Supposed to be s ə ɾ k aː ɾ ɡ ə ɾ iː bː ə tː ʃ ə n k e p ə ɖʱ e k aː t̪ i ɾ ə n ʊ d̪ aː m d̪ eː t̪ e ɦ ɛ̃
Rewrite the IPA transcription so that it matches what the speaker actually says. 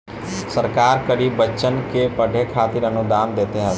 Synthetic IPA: s ə ɾ k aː ɾ k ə ɾ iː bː ə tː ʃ ə n k e p ə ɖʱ e kʰ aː t̪ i ɾ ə n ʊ d̪ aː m d̪ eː t̪ e ɦ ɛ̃